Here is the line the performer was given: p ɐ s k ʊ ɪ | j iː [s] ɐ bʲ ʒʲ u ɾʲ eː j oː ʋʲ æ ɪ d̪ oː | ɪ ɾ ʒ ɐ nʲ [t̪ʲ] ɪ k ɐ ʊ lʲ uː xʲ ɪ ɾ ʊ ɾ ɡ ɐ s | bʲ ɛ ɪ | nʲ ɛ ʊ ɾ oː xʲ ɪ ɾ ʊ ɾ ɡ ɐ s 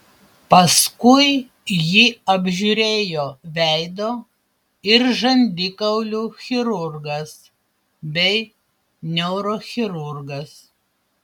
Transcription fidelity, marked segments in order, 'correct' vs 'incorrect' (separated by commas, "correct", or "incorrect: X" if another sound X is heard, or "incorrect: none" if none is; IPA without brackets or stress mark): incorrect: none, incorrect: d̪ʲ